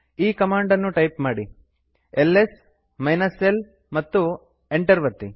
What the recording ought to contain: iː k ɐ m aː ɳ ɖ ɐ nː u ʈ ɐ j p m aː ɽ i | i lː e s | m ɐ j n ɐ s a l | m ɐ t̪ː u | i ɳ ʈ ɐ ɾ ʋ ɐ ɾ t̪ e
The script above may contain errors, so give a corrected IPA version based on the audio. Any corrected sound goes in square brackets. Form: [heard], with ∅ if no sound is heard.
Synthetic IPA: iː k ɐ m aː ɳ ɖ ɐ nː u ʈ ɐ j p m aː ɽ i | [e] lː e s | m ɐ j n ɐ s [e] l | m ɐ t̪ː u | [e] ɳ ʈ ɐ ɾ ʋ ɐ ɾ t̪ [i]